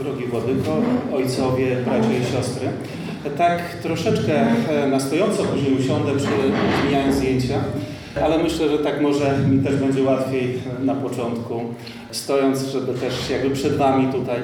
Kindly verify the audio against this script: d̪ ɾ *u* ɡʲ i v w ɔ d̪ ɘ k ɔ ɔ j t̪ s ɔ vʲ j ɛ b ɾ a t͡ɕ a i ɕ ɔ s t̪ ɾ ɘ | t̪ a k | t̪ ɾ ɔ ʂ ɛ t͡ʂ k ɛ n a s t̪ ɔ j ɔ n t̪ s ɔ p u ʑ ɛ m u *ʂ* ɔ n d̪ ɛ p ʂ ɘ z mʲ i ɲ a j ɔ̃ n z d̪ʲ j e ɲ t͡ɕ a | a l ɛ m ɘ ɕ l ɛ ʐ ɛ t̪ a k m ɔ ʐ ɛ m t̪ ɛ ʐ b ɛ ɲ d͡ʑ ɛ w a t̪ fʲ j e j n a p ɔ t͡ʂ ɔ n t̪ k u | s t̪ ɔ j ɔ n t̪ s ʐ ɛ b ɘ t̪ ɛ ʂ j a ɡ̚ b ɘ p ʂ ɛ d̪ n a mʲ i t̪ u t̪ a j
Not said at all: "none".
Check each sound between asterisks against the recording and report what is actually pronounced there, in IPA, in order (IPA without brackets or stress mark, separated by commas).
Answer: ɔ, ɕ